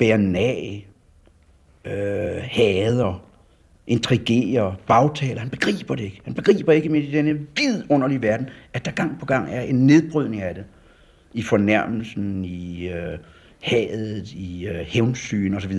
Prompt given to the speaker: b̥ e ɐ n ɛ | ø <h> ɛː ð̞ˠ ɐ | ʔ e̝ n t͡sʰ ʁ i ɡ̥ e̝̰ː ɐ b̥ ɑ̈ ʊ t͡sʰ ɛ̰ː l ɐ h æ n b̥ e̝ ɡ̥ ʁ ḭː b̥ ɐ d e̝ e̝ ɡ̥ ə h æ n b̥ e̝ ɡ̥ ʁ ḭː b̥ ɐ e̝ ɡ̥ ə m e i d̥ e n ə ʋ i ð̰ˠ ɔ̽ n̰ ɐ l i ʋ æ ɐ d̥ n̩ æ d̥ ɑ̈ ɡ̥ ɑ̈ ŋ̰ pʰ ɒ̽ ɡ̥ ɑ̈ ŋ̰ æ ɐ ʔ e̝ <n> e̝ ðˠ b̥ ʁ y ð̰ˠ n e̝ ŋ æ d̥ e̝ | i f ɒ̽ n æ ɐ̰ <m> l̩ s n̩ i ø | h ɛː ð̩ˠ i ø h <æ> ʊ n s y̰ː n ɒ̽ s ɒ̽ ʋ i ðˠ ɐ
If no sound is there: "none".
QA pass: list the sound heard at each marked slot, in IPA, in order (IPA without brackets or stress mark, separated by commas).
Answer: h, nː, m, e